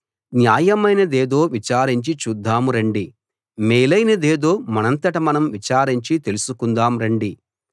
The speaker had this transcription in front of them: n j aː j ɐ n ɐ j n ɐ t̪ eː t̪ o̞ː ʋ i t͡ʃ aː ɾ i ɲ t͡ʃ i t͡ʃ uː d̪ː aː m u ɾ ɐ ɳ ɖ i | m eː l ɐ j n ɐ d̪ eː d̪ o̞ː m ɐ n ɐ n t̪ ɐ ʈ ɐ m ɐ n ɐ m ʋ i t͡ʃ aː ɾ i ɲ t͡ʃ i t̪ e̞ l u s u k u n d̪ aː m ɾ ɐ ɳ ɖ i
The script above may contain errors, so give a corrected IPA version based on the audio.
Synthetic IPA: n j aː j ɐ m ɐ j n ɐ d̪ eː d̪ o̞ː ʋ i t͡ʃ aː ɾ i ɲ t͡ʃ i t͡ʃ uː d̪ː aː m u ɾ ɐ ɳ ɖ i | m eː l ɐ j n ɐ d̪ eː d̪ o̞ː m ɐ n ɐ n t̪ ɐ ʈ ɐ m ɐ n ɐ m ʋ i t͡ʃ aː ɾ i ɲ t͡ʃ i t̪ e̞ l u s u k u n d̪ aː m ɾ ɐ ɳ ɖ i